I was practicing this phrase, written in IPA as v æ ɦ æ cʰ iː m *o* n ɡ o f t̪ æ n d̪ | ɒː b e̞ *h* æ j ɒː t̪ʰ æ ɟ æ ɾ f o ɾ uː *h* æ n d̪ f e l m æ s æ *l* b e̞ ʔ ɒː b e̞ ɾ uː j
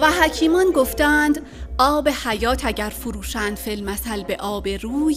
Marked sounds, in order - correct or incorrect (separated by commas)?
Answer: incorrect, correct, incorrect, correct